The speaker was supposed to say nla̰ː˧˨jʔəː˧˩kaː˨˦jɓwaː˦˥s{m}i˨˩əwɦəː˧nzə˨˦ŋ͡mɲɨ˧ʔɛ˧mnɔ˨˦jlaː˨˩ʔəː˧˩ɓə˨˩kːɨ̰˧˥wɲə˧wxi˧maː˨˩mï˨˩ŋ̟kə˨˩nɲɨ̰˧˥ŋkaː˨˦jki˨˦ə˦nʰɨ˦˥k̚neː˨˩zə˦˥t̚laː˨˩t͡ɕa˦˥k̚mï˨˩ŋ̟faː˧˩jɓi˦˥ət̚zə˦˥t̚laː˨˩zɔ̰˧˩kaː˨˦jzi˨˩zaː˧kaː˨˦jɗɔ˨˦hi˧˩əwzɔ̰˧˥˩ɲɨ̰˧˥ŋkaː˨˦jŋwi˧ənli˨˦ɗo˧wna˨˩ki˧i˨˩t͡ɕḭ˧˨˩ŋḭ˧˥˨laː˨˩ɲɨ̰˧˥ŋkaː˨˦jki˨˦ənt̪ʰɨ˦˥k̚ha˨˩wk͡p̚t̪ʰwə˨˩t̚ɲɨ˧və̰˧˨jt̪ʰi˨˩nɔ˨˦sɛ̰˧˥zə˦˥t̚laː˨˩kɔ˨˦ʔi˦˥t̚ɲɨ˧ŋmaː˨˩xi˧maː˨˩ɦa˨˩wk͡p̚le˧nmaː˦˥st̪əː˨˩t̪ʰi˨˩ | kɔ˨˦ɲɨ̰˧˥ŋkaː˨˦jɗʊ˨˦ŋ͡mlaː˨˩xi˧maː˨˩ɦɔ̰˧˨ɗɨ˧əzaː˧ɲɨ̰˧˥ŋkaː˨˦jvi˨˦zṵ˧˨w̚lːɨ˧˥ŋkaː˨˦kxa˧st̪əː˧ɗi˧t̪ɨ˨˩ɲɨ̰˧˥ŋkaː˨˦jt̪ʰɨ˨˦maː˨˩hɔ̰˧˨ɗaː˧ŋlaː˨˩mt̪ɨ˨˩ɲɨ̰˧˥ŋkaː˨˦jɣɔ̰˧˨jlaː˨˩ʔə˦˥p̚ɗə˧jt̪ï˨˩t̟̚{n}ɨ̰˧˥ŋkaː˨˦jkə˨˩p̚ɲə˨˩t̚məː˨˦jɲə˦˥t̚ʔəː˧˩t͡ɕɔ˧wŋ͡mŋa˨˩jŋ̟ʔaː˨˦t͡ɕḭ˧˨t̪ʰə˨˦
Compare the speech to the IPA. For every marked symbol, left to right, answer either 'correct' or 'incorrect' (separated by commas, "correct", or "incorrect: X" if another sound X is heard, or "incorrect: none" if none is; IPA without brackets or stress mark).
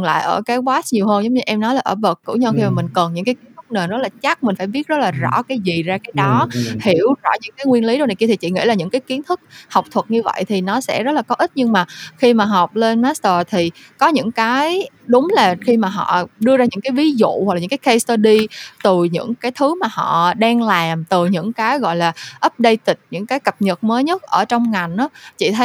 incorrect: ɲ, incorrect: ɲ